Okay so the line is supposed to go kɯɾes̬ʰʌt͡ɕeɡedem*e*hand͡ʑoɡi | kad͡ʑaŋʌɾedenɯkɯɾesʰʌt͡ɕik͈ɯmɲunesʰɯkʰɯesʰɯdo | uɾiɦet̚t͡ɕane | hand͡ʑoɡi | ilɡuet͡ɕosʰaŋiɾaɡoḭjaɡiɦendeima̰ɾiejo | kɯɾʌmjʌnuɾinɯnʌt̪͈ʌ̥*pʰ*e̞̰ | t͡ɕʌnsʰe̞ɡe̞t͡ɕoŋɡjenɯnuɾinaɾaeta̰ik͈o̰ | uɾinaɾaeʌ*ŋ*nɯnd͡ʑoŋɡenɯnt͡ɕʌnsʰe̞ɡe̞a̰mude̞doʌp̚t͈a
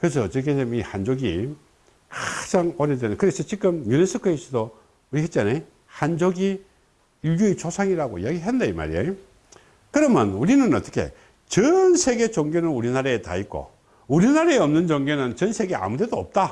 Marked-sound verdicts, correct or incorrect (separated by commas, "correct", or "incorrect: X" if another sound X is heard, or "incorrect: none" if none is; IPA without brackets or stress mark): incorrect: i, incorrect: kʰ, incorrect: m